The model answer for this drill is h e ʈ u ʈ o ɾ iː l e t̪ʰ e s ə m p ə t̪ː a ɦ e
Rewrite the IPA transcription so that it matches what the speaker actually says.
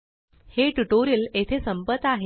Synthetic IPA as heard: h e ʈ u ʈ o ɾ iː l e t̪ʰ e s ə m p ə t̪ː a ɦ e